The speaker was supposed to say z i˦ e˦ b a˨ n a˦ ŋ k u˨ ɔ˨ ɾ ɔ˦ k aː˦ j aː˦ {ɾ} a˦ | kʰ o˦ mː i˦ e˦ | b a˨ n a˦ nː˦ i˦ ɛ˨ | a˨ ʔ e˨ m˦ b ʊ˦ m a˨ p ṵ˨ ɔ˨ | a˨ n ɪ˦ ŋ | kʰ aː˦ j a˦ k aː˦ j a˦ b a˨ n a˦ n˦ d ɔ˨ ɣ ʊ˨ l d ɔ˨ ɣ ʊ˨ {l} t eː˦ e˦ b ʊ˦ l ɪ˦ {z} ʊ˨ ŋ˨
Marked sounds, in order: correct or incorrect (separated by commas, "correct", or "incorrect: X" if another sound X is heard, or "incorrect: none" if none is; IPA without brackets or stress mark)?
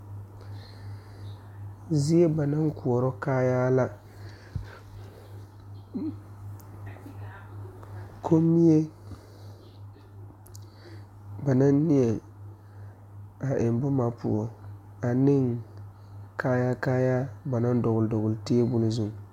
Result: incorrect: l, correct, correct